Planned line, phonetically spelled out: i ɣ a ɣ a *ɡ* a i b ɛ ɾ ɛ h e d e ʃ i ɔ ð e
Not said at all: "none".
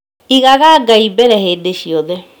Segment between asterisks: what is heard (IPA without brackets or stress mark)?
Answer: ɡ